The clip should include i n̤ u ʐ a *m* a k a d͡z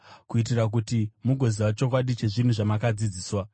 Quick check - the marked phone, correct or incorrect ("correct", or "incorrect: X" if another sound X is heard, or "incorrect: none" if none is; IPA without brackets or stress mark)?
correct